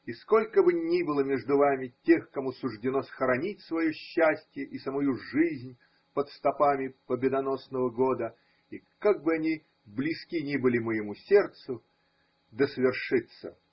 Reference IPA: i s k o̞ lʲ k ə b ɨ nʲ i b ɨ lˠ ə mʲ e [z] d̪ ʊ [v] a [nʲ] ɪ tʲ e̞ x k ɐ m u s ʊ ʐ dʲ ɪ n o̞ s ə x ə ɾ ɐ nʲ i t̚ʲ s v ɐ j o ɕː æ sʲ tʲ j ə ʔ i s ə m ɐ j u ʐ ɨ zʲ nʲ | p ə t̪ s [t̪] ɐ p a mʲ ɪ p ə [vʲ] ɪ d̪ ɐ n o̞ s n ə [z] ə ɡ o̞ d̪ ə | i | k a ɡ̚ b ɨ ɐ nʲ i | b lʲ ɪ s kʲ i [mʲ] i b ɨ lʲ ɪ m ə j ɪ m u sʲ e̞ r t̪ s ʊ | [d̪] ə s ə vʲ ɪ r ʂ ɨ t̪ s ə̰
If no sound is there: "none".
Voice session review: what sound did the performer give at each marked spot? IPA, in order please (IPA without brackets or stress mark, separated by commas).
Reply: ʐ, v, mʲ, t̪, bʲ, v, nʲ, d̪